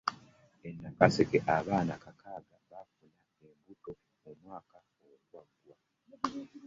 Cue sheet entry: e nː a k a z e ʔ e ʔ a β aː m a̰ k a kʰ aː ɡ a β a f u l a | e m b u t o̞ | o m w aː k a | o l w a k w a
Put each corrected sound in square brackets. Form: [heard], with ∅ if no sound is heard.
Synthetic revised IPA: e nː a k a [s] e [k] e ʔ a β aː [n] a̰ k a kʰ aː ɡ a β a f u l a | e m b u t o̞ | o m w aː k a | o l w a [ɡ] w a